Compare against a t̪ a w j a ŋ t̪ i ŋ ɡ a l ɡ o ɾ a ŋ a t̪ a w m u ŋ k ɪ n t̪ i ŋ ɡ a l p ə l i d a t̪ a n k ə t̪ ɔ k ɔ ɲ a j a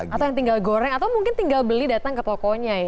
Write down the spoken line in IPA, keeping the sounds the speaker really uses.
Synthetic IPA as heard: a t̪ a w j a ŋ t̪ i ŋ ɡ a l ɡ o ɾ ɛ ŋ a t̪ a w m u ŋ k ɪ n t̪ i ŋ ɡ a l b ə l i d a t̪ a ŋ k ə t̪ ɔ k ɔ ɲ a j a

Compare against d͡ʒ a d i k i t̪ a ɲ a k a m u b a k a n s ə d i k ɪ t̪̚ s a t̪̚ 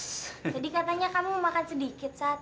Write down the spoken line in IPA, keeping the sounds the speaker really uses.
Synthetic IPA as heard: d͡ʒ a d i k a t̪ a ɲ a k a m u m a k a n s ə d i k ɪ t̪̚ s a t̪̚

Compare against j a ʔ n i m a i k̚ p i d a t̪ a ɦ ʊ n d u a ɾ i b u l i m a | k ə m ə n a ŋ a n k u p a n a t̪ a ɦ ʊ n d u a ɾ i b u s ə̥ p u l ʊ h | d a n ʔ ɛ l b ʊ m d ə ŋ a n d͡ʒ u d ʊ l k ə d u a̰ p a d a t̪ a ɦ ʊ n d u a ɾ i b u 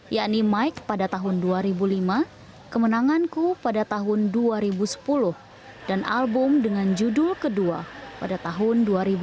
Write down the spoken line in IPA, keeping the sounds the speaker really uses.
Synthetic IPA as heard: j a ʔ n i m a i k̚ p a d a t̪ a ɦ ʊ n d u a ɾ i b u l i m a | k ə m ə n a ŋ a n k u p a d a t̪ a ɦ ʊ n d u a ɾ i b u s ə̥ p u l ʊ h | d a n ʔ a l b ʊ m d ə ŋ a n d͡ʒ u d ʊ l k ə d u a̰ p a d a t̪ a ɦ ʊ n d u a ɾ i b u

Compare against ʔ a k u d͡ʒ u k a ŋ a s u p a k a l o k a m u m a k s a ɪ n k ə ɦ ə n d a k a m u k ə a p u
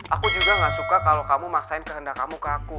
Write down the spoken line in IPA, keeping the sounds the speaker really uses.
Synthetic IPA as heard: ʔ a k u d͡ʒ u ɡ a ŋ a s u k a k a l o k a m u m a k s a ɪ n k ə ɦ ə n d a k a m u k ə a k u

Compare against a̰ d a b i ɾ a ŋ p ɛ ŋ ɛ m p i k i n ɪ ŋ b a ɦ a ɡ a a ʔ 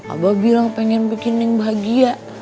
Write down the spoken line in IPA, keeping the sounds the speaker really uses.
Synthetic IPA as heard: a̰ b a b i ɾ a ŋ p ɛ ŋ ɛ n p i k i n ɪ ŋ b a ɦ a ɡ i a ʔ

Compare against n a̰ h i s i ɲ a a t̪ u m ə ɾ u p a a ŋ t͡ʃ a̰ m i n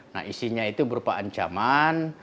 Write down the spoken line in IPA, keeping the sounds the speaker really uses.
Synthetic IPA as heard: n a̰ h i s i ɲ a i t̪ u b ə ɾ u p a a ɲ t͡ʃ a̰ m a n

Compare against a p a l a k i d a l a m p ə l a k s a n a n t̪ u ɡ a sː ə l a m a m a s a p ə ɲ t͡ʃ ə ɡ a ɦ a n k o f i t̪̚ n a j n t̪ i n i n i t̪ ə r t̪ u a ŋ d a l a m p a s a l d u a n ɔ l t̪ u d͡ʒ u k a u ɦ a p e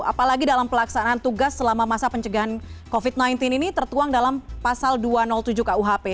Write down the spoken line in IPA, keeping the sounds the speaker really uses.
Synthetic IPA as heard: a p a l a ɡ i d a l a m p ə l a k s a n a n t̪ u ɡ a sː ə l a m a m a s a p ə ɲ t͡ʃ ə ɡ a ɦ a n k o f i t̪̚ n a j n t̪ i n i n i t̪ ə r t̪ u a ŋ d a l a m p a s a l d u a n ɔ l t̪ u d͡ʒ u k a u ɦ a p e

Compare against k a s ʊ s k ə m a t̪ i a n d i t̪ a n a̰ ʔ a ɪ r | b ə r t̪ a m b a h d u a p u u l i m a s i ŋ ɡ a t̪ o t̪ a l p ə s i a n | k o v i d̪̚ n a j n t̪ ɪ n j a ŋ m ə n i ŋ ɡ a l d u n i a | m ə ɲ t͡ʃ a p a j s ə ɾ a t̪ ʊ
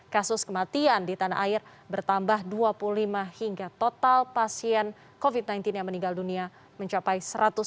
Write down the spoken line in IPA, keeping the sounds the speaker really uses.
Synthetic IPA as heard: k a s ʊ s k ə m a t̪ i a n d i t̪ a n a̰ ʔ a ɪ r | b ə r t̪ a m b a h d u a p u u l i m a h i ŋ ɡ a t̪ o t̪ a l p a s i ɛ n | k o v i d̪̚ n a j n t̪ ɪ n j a ŋ m ə n i ŋ ɡ a l d u n i a | m ə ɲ t͡ʃ a p a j s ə ɾ a t̪ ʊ

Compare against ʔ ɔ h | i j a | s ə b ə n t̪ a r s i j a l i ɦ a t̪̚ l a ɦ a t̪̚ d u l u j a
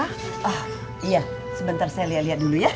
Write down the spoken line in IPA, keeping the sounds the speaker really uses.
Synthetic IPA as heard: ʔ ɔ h | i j a | s ə b ə n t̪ a r s a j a l i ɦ a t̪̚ l i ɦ a t̪̚ d u l u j a

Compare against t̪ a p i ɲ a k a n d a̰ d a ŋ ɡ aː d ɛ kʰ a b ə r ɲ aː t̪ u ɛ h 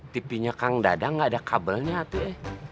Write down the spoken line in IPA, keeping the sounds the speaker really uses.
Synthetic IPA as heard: t̪ i p i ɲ a k a ŋ d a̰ d a ŋ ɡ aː d a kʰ a b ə l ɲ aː t̪ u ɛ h

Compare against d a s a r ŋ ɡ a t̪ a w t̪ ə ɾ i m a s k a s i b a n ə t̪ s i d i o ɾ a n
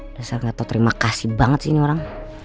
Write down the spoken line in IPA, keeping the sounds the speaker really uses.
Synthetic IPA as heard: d a s a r ŋ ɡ a t̪ a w t̪ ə ɾ i m a k a s i b a ŋ ə t̪ s i n i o ɾ a ŋ

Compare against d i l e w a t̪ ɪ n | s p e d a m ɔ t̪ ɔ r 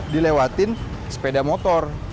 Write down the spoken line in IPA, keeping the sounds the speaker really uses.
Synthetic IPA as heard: d i l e w a t̪ ɪ n | s p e d a m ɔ t̪ ɔ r

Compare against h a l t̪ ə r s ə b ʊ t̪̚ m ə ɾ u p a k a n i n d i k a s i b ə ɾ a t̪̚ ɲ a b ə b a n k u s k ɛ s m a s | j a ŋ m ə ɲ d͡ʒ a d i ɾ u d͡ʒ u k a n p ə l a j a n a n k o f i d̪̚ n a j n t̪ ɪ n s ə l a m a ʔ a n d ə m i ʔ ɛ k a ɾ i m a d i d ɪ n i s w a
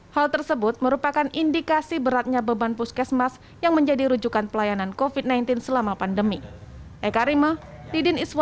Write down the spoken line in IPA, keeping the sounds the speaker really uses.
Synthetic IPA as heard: h a l t̪ ə r s ə b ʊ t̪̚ m ə ɾ u p a k a n i n d i k a s i b ə ɾ a t̪̚ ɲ a b ə b a n p u s k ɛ s m a s | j a ŋ m ə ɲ d͡ʒ a d i ɾ u d͡ʒ u k a n p ə l a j a n a n k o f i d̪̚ n a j n t̪ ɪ n s ə l a m a p a n d ə m i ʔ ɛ k a ɾ i m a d i d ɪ n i s w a

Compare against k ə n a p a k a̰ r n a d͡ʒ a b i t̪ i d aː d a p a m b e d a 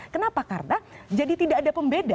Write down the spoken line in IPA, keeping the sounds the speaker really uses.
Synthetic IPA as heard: k ə n a p a k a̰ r n a d͡ʒ a d i t̪ i d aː d a p ə m b e d a

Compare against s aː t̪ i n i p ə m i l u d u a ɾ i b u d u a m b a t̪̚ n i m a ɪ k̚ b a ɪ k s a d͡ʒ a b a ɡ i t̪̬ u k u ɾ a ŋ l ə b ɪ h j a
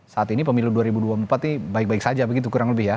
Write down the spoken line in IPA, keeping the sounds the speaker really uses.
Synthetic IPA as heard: s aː t̪ i n i p ə m i l u d u a ɾ i b u d u a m p a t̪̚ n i b a ɪ k̚ b a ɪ k s a d͡ʒ a b ə ɡ i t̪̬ u k u ɾ a ŋ l ə b ɪ h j a

